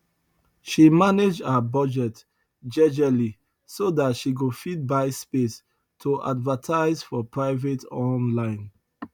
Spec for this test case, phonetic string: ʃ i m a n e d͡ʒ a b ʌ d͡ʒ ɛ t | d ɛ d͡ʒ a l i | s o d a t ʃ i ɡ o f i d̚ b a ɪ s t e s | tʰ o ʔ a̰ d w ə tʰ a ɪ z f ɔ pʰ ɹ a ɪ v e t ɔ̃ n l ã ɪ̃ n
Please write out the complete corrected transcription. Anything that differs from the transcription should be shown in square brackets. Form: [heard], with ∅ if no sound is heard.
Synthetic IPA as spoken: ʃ i m a n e d͡ʒ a b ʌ d͡ʒ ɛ t | [d͡ʒ] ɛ d͡ʒ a l i | s o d a t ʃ i ɡ o f i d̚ b a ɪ s [p] e s | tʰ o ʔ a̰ d [v] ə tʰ a ɪ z f ɔ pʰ ɹ a ɪ v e t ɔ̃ n l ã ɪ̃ n